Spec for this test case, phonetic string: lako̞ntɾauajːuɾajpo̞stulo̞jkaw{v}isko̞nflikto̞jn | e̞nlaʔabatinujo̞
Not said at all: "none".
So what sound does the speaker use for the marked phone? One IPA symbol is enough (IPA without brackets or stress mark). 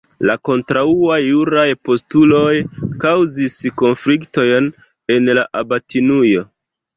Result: z